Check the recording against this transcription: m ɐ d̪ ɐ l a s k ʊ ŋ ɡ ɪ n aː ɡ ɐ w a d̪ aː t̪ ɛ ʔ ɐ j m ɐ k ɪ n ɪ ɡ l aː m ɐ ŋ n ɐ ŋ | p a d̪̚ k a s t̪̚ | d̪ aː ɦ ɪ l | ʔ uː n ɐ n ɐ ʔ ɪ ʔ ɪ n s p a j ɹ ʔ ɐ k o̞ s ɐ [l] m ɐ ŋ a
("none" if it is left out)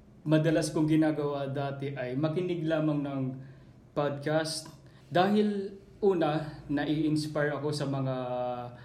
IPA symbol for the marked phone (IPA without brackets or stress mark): none